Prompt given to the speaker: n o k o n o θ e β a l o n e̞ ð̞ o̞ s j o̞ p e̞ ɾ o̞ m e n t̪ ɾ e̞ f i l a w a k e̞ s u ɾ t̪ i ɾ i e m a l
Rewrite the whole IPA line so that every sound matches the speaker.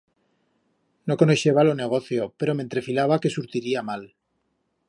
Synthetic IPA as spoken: n o k o n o ʃ e β a l o n e̞ ɣ̞ o̞ θ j o̞ p e̞ ɾ o̞ m e n t̪ ɾ e̞ f i l a β a k e̞ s u ɾ t̪ i ɾ i a m a l